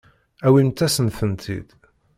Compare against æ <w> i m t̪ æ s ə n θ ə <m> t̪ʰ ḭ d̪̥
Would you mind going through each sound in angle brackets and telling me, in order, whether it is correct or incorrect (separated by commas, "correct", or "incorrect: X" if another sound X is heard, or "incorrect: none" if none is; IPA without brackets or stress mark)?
correct, incorrect: n